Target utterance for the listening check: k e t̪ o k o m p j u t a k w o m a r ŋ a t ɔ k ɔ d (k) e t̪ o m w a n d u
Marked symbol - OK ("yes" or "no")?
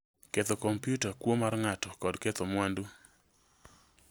yes